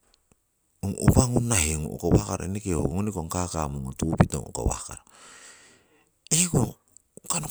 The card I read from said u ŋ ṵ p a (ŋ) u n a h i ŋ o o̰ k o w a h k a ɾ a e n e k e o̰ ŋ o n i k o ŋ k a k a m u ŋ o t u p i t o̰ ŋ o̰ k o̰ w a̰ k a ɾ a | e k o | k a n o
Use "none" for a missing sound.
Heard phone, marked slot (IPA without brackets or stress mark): ŋ